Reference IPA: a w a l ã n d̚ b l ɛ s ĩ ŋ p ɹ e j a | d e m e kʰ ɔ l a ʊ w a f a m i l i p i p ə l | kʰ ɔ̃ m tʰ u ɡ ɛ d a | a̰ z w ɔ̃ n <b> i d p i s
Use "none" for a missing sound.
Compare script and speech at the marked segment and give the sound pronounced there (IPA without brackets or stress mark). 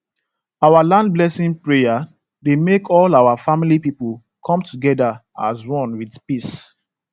w